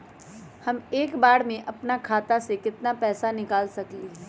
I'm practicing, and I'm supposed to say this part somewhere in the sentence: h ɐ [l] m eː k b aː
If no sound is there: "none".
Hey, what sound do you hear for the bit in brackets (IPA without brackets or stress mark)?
none